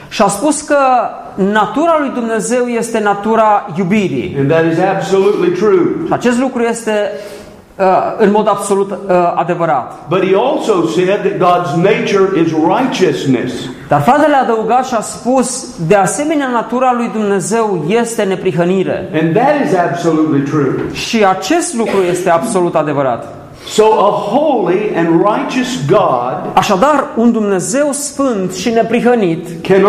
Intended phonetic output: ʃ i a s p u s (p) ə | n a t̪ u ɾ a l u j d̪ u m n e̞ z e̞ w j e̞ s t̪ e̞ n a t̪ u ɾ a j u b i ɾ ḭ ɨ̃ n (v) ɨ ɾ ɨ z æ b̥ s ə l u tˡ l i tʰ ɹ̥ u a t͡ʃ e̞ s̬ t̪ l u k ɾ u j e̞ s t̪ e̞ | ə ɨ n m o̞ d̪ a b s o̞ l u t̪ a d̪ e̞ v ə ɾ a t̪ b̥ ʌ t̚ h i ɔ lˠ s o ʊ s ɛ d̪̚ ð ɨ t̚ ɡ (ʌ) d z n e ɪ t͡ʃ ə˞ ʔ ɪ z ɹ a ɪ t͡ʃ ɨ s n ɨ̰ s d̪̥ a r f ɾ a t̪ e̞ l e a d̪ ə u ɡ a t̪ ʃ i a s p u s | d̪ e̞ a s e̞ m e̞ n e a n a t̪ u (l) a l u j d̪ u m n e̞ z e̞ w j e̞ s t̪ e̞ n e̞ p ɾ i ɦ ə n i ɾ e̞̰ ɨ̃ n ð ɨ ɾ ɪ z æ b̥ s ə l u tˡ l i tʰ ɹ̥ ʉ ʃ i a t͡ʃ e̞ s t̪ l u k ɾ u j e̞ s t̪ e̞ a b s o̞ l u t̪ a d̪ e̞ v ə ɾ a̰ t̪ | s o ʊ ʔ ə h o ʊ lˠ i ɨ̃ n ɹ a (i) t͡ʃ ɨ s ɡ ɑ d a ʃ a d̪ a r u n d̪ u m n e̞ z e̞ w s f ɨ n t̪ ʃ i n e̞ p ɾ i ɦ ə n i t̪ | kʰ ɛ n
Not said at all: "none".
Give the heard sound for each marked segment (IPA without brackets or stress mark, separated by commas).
k, ð, ɑ, ɾ, ɪ